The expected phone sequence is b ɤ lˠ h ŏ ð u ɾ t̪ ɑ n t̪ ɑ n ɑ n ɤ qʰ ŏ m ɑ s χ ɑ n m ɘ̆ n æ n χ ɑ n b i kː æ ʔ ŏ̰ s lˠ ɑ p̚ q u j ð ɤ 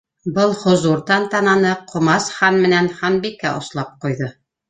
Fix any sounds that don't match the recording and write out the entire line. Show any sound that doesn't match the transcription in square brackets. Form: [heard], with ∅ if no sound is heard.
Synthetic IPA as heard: b ɤ lˠ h ŏ [z] u ɾ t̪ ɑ n t̪ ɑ n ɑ n ɤ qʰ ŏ m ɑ s χ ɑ n m ɘ̆ n æ n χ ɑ n b i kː æ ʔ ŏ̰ s lˠ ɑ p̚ q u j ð ɤ